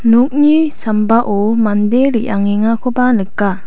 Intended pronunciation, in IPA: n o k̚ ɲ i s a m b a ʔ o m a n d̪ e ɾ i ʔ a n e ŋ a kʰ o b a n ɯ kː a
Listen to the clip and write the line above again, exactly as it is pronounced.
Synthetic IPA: n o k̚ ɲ i s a m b a ʔ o m a n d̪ e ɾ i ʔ a ŋ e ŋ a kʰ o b a n ɯ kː a

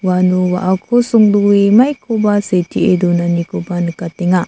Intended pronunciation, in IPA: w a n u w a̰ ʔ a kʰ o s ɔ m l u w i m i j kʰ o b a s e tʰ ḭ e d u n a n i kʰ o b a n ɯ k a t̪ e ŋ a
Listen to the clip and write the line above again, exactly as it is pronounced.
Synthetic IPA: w a n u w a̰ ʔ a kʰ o s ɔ ŋ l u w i m a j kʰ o b a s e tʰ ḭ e d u n a n i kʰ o b a n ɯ k a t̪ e ŋ a

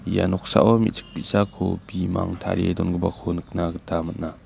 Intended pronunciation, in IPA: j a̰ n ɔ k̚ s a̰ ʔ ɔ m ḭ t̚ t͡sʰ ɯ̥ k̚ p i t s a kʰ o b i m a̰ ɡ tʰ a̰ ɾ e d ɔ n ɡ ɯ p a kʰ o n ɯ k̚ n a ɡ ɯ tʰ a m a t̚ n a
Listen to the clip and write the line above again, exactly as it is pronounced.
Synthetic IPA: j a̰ n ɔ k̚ s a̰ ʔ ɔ m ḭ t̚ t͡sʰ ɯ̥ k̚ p i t s a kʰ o b i m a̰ ŋ tʰ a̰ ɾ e d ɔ n ɡ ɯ b a kʰ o n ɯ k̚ n a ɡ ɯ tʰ a m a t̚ n a

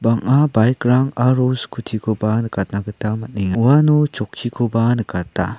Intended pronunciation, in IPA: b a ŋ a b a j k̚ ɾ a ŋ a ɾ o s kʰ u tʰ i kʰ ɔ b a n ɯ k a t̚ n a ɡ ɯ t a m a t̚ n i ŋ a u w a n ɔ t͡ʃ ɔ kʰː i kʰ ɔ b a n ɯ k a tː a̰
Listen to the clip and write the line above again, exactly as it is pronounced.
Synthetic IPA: b a ŋ a b a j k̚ ɾ a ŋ a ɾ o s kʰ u tʰ i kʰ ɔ b a n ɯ k a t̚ n a ɡ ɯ t a m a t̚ n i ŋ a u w a n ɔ t͡ʃ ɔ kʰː i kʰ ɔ b a n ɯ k a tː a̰

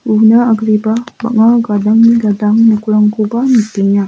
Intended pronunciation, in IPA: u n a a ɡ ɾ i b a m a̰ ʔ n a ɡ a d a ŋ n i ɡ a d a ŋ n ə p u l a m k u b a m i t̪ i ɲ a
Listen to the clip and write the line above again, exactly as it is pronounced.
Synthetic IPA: u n a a ɡ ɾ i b a b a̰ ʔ ŋ a ɡ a d a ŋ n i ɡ a d a ŋ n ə k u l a ŋ k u b a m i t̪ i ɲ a

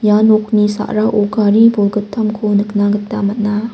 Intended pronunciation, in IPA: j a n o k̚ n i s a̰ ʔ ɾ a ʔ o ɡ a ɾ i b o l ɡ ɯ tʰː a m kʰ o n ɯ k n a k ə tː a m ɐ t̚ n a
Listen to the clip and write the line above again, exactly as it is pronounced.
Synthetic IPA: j a n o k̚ n i s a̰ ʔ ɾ a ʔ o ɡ a ɾ i b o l ɡ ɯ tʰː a m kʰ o n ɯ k n a ɡ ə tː a m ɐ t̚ n a

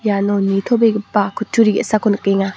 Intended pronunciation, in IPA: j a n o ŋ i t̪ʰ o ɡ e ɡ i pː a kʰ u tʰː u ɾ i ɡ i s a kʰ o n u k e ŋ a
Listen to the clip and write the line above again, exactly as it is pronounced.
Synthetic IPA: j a n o n i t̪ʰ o b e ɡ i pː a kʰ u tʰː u ɾ i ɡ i s a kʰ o n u k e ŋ a

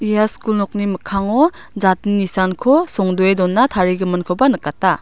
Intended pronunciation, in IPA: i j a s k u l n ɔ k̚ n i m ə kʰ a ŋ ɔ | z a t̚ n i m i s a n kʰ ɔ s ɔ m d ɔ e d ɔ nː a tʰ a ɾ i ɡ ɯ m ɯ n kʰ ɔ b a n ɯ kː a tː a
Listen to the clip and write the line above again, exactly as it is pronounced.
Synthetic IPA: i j a s k u l n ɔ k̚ n i m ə kʰ a ŋ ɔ | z a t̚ n i n i s a n kʰ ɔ s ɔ ŋ d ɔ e d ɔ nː a tʰ a ɾ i ɡ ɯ m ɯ n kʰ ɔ b a n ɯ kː a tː a

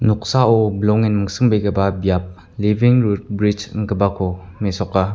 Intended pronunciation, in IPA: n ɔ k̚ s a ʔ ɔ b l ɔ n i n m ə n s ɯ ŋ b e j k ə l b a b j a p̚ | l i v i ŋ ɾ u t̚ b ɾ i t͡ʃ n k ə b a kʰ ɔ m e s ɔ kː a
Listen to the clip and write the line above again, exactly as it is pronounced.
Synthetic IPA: n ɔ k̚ s a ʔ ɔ b l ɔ ŋ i n m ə ŋ s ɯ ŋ b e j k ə b a b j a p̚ | l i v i ŋ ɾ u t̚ b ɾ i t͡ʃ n k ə b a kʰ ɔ m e s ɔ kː a

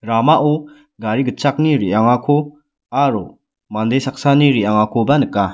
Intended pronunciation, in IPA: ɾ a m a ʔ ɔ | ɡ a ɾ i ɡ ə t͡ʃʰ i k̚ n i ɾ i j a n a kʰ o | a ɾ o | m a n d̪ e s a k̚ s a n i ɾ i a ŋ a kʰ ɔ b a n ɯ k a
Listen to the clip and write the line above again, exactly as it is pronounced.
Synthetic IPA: ɾ a m a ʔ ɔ | ɡ a ɾ i ɡ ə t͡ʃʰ a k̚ n i ɾ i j a ŋ a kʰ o | a ɾ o | m a n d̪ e s a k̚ s a n i ɾ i a ŋ a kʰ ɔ b a n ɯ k a

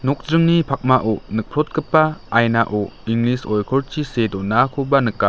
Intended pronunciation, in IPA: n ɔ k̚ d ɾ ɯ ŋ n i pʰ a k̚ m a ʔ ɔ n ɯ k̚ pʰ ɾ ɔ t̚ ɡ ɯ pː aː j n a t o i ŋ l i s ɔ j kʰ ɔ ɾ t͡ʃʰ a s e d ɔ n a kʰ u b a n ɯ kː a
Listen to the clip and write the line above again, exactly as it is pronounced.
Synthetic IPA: n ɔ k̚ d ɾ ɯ ŋ n i pʰ a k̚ m a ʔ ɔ n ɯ k̚ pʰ ɾ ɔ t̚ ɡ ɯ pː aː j n a ʔ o i ŋ l i s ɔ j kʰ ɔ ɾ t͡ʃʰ i s e d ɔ n a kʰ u b a n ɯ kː a

